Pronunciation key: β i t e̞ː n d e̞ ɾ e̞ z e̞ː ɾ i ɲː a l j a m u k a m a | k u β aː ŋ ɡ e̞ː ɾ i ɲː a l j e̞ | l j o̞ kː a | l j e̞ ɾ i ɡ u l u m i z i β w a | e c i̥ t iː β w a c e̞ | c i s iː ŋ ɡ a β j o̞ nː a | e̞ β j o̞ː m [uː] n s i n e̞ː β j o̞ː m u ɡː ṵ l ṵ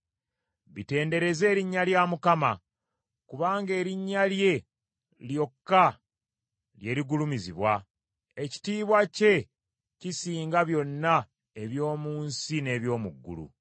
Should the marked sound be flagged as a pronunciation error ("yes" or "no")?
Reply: no